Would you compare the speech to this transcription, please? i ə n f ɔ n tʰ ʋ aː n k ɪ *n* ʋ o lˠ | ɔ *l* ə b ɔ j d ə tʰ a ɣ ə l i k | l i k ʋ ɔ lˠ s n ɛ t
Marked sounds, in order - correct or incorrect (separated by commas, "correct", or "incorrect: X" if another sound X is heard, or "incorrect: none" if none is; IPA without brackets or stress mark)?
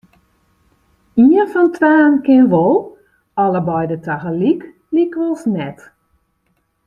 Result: correct, correct